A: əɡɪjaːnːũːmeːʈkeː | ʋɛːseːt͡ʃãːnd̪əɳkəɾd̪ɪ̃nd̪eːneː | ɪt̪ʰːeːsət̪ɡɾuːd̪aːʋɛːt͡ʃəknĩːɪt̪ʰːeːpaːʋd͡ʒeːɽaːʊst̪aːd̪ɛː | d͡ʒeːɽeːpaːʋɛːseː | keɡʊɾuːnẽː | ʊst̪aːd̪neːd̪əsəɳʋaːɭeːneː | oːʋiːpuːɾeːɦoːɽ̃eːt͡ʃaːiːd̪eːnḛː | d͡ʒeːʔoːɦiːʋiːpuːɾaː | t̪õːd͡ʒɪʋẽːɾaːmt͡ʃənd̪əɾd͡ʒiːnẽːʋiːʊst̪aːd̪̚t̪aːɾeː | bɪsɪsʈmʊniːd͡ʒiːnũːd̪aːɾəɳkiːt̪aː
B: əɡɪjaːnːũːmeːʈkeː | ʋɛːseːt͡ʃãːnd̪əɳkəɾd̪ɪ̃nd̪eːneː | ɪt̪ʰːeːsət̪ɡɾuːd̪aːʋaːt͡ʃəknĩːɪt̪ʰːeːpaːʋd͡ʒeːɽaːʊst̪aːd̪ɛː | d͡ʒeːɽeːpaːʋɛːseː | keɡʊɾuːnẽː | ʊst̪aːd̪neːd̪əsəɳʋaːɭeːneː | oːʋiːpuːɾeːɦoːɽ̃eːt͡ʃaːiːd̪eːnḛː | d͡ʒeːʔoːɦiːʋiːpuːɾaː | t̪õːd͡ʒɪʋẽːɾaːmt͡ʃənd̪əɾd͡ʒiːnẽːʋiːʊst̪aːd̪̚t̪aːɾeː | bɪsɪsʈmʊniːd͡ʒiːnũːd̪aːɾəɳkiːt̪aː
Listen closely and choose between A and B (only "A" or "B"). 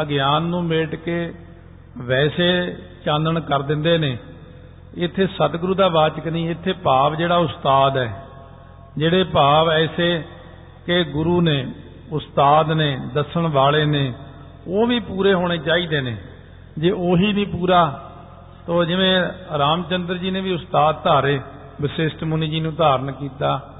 B